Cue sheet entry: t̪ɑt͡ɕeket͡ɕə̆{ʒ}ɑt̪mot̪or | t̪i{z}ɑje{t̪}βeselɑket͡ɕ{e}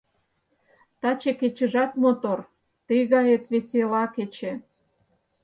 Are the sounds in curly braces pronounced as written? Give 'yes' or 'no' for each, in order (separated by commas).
yes, no, yes, yes